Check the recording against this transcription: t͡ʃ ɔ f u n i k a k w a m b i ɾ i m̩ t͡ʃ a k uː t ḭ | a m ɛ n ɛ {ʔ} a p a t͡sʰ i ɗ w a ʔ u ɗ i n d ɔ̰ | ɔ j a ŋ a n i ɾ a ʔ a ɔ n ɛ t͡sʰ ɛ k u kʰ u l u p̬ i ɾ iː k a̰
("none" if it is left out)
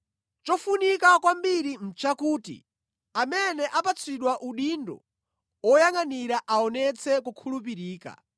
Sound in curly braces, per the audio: ʔ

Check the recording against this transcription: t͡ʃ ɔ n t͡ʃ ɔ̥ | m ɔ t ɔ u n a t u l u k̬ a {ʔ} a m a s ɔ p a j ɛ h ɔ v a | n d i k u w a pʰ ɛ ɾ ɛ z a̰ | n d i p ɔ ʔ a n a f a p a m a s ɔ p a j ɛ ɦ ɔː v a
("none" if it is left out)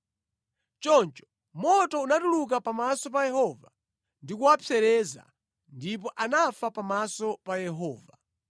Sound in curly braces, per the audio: p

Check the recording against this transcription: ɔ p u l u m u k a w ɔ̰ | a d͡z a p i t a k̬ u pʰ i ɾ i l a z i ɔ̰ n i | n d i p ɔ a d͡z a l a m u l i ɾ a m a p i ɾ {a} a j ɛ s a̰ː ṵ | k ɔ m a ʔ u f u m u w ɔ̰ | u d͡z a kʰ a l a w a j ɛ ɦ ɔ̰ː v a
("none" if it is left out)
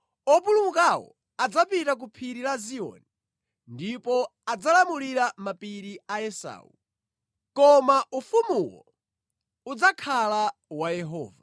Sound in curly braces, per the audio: i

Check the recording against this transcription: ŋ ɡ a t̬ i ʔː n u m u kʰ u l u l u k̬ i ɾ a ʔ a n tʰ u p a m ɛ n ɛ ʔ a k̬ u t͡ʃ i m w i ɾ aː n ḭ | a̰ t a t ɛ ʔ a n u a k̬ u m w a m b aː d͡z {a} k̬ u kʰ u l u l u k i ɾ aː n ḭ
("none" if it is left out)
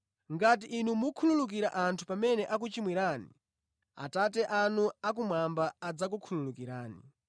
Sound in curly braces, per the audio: a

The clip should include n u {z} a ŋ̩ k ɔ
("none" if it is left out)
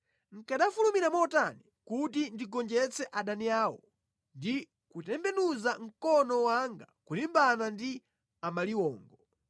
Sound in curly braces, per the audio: z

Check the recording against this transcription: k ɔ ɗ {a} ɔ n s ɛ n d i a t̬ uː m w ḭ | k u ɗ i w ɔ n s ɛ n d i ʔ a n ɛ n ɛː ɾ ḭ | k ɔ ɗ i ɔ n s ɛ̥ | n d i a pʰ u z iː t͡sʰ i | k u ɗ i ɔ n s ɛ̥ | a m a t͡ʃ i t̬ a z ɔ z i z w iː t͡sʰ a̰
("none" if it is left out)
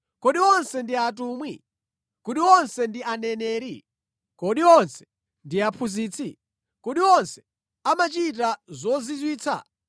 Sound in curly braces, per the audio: i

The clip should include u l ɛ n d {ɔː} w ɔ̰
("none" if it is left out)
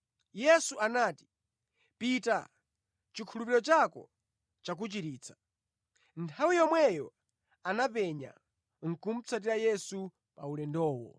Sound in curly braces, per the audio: ɔː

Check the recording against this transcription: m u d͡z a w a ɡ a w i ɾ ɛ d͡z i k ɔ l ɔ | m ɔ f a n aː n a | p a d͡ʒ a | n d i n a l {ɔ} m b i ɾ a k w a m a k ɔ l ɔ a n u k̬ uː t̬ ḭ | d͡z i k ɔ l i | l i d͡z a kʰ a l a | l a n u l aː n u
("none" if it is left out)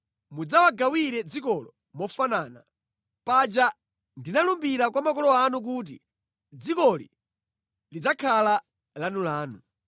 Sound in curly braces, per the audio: u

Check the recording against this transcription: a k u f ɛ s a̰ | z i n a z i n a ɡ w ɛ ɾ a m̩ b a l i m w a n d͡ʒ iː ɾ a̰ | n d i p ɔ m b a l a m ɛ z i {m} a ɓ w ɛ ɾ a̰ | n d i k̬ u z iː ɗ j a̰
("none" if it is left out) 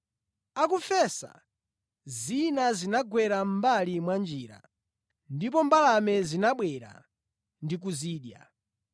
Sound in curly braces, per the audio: n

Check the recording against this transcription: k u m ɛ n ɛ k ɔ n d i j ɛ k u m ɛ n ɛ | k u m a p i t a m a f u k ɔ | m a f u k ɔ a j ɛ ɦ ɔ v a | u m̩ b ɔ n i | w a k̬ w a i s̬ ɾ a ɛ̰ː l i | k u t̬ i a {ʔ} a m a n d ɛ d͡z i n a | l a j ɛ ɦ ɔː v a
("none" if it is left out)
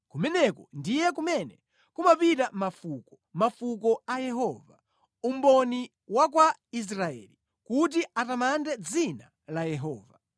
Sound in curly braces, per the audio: t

